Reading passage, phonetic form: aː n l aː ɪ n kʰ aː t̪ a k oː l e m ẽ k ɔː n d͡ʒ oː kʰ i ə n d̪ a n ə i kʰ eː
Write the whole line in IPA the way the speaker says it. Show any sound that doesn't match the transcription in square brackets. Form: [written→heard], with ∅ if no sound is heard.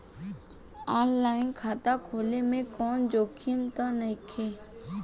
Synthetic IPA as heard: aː n l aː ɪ n kʰ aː t̪ a [k→kʰ] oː l e m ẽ k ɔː n d͡ʒ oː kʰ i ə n [d̪→t̪] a n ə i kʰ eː